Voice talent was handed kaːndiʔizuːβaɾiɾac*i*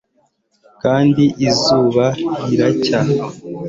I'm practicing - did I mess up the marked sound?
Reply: yes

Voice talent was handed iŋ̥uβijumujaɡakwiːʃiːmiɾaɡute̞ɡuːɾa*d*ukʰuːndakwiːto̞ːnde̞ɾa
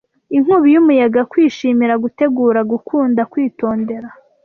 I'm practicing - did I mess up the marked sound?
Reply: yes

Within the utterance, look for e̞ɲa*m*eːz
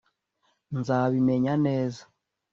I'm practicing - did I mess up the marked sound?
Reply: yes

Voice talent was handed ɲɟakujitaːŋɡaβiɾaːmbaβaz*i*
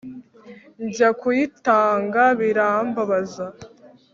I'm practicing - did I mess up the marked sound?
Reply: yes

